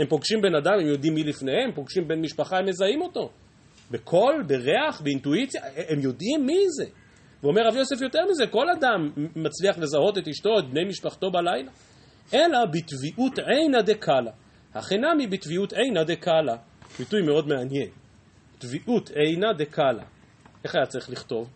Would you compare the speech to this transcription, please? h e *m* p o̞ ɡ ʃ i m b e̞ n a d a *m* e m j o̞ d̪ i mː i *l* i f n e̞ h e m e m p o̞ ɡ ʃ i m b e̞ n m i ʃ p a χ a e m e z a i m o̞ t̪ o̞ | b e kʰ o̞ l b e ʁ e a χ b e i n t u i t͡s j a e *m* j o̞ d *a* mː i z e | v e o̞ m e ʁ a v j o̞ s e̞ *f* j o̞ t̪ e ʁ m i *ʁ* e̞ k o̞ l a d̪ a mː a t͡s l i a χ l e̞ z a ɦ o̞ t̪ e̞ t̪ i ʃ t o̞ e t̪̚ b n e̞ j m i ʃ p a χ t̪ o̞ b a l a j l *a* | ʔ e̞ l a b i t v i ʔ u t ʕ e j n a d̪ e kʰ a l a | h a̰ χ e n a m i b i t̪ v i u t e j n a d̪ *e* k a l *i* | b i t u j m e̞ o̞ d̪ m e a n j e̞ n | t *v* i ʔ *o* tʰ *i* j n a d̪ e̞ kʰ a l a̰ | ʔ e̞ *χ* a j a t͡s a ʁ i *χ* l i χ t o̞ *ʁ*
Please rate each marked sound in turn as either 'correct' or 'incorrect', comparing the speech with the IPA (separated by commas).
correct, correct, correct, correct, incorrect, correct, incorrect, correct, correct, incorrect, correct, incorrect, incorrect, correct, correct, incorrect